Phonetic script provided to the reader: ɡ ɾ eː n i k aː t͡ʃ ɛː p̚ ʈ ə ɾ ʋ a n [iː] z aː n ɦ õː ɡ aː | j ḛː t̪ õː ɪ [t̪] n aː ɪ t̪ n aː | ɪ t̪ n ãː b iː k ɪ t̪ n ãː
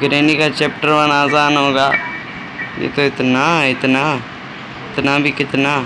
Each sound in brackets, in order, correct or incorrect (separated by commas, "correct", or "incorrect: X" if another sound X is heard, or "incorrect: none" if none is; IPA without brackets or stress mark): incorrect: aː, correct